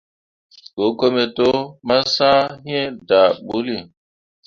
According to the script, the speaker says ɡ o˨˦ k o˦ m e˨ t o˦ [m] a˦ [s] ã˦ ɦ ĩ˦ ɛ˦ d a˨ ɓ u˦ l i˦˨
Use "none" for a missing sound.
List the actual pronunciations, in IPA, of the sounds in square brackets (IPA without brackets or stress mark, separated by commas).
m, s